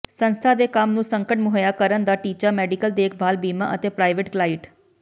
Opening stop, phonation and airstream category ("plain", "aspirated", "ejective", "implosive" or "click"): aspirated